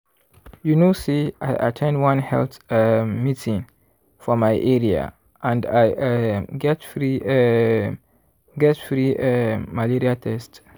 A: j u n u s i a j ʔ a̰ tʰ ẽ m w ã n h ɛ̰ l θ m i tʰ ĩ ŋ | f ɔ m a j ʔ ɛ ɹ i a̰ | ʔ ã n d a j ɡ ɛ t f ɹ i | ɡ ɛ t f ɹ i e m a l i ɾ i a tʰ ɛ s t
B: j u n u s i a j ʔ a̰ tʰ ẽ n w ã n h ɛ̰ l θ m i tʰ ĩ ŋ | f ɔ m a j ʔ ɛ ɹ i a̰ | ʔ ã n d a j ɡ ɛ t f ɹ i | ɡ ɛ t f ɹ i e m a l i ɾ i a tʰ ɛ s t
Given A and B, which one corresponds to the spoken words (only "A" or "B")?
B